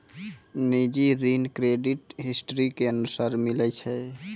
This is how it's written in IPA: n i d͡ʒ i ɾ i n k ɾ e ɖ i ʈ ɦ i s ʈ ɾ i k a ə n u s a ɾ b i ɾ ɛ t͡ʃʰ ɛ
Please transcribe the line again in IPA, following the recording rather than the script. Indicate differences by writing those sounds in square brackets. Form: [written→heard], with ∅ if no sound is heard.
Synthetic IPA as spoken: n i d͡ʒ i ɾ i n k ɾ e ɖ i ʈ ɦ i s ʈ ɾ i k [a→e] ə n u s a ɾ [b→m] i [ɾ→l] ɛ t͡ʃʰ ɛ